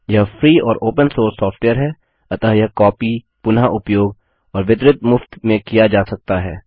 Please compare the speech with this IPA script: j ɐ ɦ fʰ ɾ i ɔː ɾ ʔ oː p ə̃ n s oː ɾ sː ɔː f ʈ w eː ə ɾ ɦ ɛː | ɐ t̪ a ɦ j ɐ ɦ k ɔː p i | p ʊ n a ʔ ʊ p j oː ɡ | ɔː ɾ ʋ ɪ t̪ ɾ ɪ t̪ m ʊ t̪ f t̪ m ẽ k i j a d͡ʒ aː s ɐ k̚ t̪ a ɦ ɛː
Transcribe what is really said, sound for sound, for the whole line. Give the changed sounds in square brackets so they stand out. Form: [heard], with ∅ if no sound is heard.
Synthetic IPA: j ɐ ɦ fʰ ɾ [iː] ɔː ɾ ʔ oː p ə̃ n s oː ɾ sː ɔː f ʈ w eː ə ɾ ɦ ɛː | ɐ t̪ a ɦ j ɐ ɦ k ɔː p i | p ʊ n a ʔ ʊ p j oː ɡ | ɔː ɾ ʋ ɪ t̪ ɾ ɪ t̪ m ʊ [∅] f t̪ m ẽ k i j a d͡ʒ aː s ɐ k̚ t̪ a ɦ ɛː